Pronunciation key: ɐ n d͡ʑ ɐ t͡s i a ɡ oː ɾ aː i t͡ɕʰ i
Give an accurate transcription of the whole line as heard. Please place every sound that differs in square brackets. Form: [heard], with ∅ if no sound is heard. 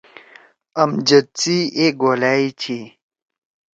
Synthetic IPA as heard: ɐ [m] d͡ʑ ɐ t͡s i [e] ɡ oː [l] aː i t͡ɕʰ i